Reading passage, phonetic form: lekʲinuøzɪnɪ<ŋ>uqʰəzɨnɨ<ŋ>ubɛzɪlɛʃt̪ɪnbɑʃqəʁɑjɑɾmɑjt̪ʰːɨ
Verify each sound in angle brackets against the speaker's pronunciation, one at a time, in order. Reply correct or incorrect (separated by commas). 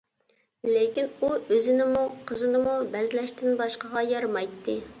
incorrect, incorrect